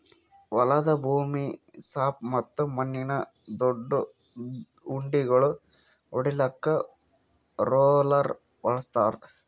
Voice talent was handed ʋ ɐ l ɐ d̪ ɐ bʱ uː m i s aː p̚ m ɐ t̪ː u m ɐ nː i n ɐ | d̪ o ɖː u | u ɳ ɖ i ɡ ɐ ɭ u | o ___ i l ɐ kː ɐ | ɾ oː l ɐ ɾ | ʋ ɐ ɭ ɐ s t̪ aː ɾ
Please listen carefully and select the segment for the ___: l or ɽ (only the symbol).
ɽ